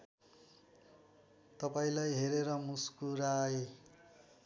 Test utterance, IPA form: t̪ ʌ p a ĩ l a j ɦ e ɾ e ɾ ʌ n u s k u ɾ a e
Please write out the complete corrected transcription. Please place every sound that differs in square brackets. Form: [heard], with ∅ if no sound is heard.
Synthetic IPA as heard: t̪ ʌ p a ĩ l a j ɦ e ɾ e ɾ ʌ [m] u s k u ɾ a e